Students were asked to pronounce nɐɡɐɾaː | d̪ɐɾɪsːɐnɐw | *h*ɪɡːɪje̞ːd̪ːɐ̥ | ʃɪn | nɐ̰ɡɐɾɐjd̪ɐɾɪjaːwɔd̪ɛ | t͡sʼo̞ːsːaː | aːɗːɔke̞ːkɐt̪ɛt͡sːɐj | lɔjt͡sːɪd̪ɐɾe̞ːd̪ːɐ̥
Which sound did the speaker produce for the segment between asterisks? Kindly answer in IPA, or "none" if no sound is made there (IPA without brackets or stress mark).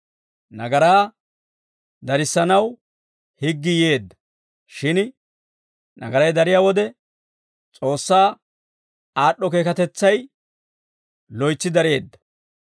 h